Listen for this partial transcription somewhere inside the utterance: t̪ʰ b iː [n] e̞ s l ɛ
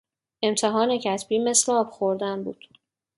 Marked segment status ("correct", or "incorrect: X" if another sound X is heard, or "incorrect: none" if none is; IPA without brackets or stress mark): incorrect: m